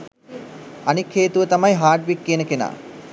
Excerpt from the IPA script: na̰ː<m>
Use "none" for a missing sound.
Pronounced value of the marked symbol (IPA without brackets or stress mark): none